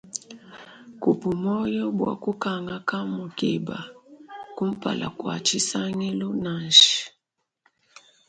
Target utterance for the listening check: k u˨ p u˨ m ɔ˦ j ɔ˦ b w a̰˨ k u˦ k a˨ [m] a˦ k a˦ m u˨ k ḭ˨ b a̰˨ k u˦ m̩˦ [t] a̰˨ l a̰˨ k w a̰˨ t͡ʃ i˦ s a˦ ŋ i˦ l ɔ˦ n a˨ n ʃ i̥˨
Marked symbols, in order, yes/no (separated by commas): no, no